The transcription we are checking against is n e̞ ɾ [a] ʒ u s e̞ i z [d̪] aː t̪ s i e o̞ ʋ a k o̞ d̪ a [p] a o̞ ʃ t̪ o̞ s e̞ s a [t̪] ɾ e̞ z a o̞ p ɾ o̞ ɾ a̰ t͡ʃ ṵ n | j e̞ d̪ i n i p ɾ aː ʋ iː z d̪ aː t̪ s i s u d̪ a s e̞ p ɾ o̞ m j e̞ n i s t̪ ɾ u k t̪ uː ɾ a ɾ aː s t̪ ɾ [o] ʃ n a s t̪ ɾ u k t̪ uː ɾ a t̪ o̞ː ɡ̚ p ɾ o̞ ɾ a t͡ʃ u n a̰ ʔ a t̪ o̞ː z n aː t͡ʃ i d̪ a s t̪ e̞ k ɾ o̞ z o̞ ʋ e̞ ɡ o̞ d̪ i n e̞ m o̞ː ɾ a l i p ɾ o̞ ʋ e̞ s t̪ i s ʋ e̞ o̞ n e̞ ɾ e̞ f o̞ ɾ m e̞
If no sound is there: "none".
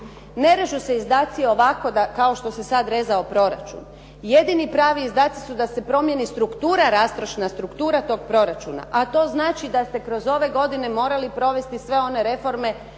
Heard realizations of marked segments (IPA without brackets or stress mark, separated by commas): e, d̪, k, d̪, o